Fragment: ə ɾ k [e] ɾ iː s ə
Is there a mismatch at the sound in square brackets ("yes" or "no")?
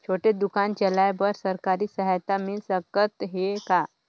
yes